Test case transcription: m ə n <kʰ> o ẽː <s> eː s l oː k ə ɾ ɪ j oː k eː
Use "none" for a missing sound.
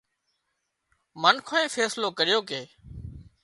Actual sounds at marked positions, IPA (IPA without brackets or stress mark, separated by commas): kʰ, f